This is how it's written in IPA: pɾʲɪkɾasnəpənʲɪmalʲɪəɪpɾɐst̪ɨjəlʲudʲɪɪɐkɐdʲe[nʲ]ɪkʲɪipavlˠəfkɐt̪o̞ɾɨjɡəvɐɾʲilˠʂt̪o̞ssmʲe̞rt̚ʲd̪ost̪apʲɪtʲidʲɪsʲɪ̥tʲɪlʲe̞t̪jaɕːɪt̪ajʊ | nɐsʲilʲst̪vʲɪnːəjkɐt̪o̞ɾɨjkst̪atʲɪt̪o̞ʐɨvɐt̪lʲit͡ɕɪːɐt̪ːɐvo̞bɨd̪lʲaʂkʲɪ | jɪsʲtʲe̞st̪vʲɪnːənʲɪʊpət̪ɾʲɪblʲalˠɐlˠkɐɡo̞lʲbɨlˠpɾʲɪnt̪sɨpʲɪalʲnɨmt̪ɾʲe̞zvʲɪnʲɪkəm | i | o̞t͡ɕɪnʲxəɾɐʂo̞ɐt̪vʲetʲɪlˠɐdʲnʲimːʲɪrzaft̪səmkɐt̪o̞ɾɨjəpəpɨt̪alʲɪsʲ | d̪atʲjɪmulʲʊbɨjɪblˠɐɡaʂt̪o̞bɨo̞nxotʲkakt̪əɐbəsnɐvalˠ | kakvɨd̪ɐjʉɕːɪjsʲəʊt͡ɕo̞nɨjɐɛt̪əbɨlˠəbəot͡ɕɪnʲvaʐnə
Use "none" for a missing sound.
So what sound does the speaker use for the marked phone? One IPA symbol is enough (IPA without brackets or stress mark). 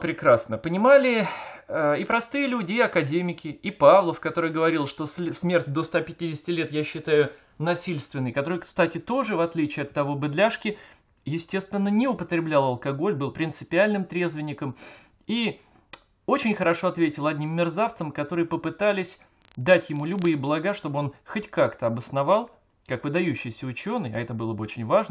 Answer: mʲ